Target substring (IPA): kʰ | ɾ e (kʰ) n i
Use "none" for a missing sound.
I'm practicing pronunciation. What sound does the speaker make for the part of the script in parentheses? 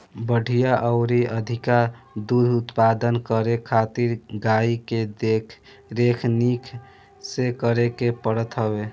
kʰ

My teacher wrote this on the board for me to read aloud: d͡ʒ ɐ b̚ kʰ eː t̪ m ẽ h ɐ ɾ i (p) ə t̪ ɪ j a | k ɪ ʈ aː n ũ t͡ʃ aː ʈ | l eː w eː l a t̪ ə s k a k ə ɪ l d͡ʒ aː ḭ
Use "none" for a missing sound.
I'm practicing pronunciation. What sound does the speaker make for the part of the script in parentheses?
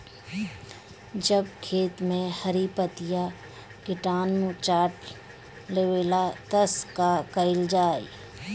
p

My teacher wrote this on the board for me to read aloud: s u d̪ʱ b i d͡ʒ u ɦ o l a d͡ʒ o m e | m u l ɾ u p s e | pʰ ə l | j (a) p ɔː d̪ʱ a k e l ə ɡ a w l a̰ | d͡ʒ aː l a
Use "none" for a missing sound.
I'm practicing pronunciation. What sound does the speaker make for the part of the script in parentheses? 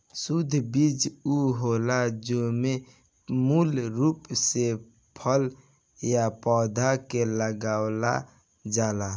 a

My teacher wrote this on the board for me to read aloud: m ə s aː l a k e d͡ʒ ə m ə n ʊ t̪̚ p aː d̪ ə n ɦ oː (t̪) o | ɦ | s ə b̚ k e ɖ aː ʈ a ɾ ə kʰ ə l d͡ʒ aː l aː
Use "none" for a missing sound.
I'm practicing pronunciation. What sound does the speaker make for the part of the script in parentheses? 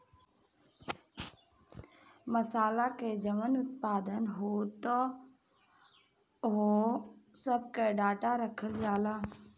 t̪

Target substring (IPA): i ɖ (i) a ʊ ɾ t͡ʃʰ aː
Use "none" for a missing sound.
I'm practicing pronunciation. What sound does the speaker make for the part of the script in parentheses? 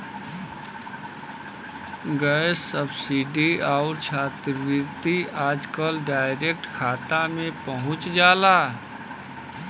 i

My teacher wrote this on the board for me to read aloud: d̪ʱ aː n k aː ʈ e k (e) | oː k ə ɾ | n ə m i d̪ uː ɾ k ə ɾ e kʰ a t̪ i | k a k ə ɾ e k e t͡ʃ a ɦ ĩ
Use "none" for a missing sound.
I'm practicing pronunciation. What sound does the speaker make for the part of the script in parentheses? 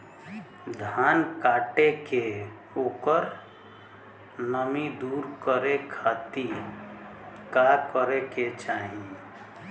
e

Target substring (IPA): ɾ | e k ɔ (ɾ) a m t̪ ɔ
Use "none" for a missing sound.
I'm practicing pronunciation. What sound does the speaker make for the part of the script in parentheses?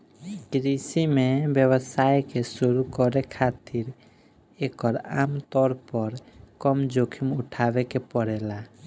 ɾ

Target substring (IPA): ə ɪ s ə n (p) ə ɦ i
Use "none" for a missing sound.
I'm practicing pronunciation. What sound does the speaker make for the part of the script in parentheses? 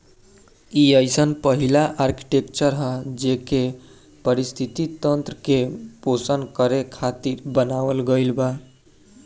p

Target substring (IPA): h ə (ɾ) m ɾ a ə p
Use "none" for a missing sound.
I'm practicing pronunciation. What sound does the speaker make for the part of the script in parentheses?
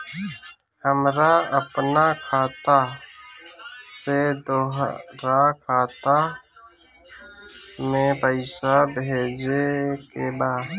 none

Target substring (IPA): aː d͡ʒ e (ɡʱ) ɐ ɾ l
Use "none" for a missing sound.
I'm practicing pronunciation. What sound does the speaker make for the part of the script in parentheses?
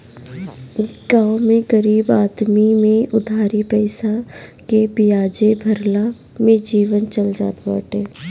bʱ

